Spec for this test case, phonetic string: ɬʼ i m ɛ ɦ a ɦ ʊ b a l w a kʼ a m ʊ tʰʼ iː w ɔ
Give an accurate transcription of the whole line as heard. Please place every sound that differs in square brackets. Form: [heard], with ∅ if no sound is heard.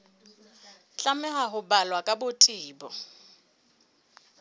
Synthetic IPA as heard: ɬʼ [a] m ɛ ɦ a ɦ ʊ b a l w a kʼ a [b] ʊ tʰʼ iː [b] ɔ

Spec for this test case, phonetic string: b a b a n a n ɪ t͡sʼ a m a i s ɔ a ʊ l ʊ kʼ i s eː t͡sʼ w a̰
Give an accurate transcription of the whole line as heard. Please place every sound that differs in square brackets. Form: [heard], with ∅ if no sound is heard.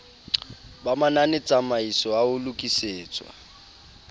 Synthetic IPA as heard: b a [m] a n a n ɪ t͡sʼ a m a i s ɔ a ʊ l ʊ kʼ i s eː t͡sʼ w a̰

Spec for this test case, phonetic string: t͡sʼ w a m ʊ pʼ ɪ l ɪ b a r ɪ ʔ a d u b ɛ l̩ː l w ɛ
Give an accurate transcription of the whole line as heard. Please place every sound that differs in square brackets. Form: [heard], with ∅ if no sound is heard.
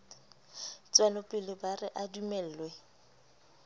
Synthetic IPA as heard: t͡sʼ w a [n] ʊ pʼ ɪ l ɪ b a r ɪ ʔ a d u [m] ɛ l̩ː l w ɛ

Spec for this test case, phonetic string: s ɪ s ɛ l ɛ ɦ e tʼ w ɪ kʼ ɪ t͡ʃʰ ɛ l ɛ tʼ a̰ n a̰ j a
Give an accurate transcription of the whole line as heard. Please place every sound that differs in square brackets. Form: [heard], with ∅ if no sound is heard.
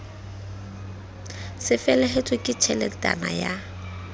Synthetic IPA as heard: s ɪ [f] ɛ l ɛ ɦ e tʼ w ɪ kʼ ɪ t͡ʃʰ ɛ l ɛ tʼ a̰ n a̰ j a

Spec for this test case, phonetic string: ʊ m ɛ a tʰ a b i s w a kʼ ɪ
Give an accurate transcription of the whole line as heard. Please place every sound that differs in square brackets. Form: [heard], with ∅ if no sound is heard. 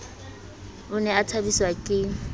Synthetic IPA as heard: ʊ [n] ɛ a tʰ a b i s w a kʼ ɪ

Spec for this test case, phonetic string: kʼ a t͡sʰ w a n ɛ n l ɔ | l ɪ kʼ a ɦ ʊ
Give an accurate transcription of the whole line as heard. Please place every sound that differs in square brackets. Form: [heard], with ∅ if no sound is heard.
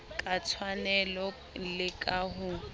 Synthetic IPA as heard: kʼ a t͡sʰ w a n ɛ [∅] l ɔ | l ɪ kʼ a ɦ ʊ

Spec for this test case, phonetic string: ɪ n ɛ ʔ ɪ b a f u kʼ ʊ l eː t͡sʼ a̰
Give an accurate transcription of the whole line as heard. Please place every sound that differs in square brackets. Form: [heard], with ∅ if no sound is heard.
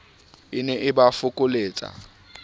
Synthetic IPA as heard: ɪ n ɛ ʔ ɪ b a f [ʊ] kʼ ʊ l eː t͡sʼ a̰

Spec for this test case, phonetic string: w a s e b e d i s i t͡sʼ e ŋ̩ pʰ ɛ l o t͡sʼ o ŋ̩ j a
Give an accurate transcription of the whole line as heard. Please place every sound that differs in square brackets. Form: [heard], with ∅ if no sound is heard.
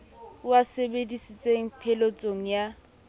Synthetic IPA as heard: w a s e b e d i s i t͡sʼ e ŋ̩ pʰ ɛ l o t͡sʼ o ŋ̩ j a

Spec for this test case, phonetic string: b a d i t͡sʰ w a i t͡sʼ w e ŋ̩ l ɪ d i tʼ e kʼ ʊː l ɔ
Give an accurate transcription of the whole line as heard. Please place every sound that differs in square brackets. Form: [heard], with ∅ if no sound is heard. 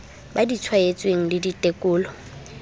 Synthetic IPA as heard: b a d i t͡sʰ w a [e] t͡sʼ w e ŋ̩ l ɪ d i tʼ e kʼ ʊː l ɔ

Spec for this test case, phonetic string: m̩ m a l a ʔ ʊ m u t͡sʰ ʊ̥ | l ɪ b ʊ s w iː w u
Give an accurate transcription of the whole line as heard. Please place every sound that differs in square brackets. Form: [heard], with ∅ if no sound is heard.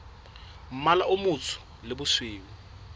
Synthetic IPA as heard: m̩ m a l a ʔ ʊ m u t͡sʰ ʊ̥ | l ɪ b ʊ s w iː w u

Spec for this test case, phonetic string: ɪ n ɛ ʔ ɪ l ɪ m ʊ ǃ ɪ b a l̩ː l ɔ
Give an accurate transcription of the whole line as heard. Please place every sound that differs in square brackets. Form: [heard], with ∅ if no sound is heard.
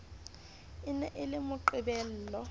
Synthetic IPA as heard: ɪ n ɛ ʔ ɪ l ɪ m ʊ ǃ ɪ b [ɛ] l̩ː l ɔ

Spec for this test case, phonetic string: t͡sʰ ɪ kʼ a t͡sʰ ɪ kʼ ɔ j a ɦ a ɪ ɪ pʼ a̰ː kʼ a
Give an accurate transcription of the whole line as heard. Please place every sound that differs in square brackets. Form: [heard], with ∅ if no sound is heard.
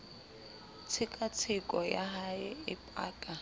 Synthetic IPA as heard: t͡sʰ ɪ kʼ a t͡sʰ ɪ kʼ ɔ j a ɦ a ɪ ɪ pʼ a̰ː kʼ a

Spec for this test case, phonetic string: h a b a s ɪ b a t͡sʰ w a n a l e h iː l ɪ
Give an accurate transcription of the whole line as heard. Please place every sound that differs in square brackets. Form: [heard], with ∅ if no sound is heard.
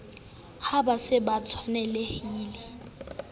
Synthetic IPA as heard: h a b a s ɪ b a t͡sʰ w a n [ɛ] l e h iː l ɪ

